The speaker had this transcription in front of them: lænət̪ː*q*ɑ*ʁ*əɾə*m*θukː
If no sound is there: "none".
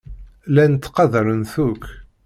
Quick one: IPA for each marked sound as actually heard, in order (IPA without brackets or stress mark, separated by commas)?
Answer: q, ð, n